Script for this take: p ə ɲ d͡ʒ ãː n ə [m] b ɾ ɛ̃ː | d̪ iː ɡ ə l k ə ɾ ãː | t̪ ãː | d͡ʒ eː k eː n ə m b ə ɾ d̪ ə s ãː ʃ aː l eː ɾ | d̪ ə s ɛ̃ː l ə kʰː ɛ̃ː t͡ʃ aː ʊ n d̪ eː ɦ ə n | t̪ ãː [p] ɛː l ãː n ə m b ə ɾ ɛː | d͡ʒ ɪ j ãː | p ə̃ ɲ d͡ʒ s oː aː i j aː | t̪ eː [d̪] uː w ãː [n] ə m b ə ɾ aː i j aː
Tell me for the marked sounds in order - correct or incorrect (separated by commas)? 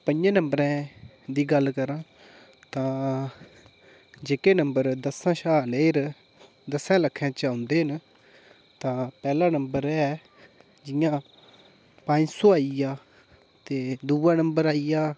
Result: correct, correct, correct, correct